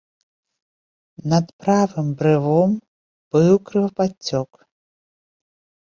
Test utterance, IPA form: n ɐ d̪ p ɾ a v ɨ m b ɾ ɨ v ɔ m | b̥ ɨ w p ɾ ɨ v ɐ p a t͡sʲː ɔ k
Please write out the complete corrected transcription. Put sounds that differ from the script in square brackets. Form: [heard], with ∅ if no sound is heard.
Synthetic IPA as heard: n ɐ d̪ p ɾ a v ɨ m b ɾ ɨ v ɔ m | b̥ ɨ w [k] ɾ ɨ v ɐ p a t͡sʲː ɔ k